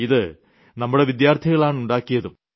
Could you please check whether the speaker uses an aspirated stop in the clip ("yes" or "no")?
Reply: yes